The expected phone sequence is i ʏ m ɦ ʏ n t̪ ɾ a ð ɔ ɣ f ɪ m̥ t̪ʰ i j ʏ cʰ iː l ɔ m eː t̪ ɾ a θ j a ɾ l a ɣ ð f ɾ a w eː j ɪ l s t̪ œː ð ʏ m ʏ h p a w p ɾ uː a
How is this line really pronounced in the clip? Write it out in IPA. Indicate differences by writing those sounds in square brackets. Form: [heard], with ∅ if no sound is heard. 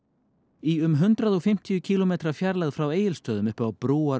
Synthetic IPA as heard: i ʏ m ɦ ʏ n t̪ ɾ a ð ɔ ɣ f ɪ m̥ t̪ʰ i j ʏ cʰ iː l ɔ m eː t̪ ɾ a [f] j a ɾ l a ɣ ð f ɾ a w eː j ɪ l s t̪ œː ð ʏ m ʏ h p a w p ɾ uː a